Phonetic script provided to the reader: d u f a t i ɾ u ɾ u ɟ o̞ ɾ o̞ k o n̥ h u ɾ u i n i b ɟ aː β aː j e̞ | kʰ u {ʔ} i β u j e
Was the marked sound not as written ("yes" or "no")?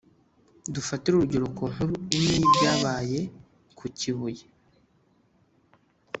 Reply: yes